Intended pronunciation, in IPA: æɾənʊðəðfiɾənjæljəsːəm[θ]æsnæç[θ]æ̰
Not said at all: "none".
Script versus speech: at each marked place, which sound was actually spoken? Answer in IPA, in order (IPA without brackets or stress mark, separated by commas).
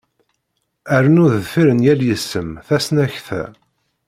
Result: θ, θ